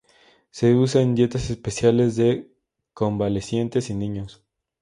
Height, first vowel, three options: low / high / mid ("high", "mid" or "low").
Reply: mid